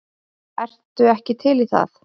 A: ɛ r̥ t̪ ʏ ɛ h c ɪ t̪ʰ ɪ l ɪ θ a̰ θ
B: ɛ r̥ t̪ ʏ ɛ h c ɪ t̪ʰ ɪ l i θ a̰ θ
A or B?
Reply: B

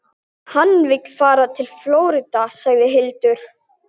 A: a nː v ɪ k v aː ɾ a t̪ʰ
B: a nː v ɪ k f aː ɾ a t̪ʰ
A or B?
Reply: B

